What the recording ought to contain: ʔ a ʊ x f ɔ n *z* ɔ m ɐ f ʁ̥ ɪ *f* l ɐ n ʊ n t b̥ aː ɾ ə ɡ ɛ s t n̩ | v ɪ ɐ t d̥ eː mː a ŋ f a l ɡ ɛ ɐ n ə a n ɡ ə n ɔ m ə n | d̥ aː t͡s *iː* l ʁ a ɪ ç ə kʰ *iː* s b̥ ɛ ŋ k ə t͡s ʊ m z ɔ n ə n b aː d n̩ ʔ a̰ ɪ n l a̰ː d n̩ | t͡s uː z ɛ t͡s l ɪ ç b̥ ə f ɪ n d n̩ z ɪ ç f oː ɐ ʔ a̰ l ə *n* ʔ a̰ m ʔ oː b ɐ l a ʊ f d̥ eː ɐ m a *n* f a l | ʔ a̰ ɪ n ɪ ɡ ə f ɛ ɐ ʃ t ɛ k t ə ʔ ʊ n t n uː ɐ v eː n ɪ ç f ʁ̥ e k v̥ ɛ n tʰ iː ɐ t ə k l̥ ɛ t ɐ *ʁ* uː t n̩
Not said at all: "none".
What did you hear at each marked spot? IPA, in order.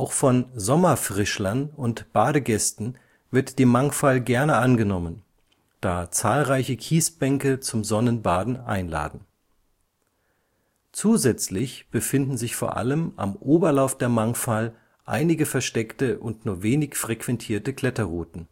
z, ʃ, aː, iː, m, ŋ, ʁ

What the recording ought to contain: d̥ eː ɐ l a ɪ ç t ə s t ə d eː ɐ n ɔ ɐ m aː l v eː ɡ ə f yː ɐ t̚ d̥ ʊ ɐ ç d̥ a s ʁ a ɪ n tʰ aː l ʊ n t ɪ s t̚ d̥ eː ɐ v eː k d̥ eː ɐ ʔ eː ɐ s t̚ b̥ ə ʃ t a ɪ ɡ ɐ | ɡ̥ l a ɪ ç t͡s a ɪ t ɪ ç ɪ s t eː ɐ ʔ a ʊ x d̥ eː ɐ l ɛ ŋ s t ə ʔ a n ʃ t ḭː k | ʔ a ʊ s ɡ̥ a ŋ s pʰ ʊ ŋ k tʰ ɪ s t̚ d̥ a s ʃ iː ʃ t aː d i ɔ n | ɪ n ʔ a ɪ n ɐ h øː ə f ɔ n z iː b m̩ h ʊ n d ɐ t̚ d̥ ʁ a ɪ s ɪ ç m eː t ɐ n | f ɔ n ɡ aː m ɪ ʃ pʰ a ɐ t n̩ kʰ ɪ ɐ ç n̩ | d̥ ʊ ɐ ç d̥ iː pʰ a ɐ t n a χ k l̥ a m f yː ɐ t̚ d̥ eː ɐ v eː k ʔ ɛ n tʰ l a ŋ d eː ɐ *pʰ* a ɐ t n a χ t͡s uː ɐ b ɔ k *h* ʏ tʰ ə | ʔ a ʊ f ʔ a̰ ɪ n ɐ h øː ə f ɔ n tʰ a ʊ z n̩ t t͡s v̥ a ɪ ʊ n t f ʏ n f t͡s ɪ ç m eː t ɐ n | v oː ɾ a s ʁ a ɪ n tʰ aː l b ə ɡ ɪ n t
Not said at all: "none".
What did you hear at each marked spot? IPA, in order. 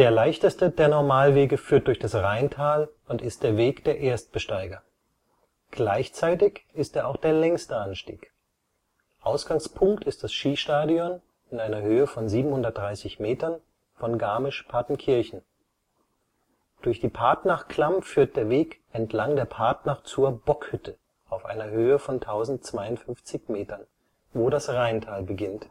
pʰ, h

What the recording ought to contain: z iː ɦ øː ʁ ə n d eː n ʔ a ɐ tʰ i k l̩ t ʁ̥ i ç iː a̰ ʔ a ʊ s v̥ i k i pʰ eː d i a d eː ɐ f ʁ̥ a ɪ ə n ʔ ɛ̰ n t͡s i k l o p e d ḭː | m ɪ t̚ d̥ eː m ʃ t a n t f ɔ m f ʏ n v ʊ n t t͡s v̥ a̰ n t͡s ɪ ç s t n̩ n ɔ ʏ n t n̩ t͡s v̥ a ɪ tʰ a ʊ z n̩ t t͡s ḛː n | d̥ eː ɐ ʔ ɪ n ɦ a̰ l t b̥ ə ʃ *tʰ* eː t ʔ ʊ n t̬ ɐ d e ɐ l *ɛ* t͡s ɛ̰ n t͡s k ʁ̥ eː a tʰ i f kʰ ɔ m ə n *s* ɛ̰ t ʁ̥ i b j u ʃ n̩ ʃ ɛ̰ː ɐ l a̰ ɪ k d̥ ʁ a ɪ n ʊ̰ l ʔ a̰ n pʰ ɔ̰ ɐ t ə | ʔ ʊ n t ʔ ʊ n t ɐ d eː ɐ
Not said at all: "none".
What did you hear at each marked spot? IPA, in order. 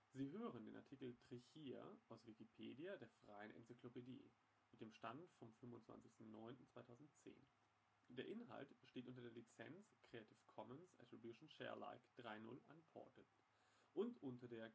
t, i, s

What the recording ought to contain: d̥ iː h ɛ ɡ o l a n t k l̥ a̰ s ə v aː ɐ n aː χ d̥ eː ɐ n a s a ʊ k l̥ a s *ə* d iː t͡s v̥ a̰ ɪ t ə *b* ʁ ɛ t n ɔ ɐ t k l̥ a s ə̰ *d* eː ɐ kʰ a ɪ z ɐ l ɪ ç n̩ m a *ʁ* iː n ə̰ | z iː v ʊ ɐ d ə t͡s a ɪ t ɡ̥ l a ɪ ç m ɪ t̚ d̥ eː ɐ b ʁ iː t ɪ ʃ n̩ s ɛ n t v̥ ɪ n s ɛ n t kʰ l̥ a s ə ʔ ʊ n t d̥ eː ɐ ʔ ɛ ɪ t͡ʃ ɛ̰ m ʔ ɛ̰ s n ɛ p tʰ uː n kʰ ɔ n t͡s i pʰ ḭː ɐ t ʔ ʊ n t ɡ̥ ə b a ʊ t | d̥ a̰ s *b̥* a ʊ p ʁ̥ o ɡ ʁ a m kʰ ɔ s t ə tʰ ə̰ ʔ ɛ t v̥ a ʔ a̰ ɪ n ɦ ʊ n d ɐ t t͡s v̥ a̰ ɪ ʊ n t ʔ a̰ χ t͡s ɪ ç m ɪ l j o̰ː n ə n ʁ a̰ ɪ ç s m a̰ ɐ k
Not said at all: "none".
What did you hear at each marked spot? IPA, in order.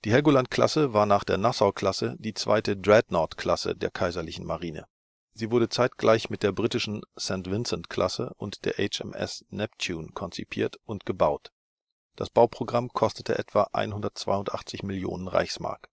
ə, d, d, ʁ, b̥

